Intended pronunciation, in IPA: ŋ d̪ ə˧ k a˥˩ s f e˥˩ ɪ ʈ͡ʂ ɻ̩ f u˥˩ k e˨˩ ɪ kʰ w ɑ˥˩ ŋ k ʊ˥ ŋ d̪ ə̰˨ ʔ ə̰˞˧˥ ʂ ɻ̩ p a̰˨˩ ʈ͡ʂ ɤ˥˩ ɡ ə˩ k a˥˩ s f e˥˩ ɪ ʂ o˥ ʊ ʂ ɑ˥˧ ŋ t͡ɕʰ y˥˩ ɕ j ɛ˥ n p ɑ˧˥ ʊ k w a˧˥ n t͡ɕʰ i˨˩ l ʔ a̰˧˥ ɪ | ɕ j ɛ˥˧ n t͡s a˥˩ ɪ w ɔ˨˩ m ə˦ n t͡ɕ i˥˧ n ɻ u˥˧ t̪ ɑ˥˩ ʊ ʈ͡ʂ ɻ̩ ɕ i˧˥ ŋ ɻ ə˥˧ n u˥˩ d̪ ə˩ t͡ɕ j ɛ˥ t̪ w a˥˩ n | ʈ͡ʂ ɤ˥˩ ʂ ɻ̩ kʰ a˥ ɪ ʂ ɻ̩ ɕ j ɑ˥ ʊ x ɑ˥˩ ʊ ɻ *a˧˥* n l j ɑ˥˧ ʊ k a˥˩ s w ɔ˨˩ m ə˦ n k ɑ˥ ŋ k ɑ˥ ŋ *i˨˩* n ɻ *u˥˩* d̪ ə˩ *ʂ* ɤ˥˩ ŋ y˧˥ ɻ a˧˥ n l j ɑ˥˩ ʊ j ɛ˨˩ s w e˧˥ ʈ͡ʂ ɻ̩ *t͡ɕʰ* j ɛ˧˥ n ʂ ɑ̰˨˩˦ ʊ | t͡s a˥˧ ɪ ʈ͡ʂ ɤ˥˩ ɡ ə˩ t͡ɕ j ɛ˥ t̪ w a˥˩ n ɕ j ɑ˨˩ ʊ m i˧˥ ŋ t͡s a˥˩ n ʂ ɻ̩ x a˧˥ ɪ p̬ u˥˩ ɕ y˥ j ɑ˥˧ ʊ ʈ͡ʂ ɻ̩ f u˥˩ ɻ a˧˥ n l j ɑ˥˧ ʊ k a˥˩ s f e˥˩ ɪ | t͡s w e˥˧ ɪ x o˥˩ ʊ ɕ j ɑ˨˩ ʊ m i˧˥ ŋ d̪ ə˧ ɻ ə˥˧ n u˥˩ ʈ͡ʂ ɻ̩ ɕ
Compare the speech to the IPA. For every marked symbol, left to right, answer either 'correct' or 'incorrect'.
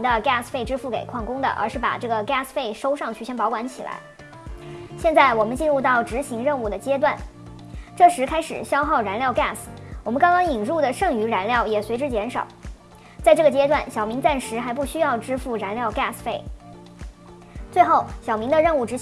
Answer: correct, correct, correct, correct, incorrect: t͡ɕ

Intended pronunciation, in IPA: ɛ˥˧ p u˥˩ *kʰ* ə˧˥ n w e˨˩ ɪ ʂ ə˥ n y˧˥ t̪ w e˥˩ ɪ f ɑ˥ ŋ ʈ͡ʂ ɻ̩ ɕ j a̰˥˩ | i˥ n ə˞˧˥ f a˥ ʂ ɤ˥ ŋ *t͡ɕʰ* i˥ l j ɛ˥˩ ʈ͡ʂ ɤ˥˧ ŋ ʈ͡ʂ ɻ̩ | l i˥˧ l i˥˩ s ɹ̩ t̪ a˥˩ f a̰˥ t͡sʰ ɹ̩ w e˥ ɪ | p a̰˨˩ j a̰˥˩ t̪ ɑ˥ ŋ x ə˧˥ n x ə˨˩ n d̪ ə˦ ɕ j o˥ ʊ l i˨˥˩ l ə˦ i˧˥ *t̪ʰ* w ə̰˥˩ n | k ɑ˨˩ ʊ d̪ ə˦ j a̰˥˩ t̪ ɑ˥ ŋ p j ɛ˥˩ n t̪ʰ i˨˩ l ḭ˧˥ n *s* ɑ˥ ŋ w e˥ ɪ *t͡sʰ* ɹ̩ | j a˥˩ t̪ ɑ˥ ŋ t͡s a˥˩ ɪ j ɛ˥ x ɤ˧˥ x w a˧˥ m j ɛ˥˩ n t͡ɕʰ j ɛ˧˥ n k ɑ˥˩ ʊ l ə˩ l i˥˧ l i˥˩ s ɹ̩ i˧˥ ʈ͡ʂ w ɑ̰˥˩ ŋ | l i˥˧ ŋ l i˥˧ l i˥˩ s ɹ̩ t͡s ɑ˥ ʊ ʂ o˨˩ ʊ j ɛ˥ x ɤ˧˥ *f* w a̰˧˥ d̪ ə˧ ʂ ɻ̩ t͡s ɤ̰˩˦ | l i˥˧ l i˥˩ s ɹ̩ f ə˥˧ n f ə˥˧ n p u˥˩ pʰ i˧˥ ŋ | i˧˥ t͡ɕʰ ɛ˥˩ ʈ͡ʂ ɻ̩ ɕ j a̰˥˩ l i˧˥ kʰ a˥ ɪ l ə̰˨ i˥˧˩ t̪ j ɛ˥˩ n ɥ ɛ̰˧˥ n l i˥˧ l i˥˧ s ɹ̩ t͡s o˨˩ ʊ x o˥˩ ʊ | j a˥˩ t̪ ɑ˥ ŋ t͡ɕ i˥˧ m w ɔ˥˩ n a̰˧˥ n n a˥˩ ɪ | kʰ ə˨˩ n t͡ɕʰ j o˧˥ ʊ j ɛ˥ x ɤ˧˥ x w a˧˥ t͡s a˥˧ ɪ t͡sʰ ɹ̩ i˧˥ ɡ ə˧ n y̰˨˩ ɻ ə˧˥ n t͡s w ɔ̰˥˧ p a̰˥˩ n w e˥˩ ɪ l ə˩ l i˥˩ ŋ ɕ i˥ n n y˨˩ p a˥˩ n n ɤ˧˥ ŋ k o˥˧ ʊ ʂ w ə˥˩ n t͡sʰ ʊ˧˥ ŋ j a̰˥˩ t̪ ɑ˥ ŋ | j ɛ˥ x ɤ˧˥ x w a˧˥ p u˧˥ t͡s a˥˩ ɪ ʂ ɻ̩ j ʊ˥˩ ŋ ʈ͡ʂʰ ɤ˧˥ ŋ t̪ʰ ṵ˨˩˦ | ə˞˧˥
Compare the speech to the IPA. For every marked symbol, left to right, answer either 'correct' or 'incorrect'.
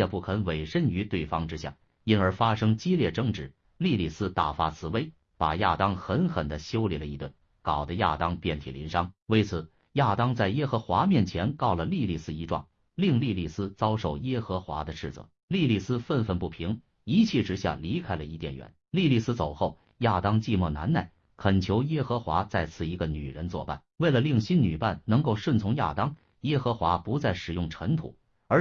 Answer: correct, incorrect: t͡ɕ, incorrect: t̪, incorrect: ʂ, correct, incorrect: x

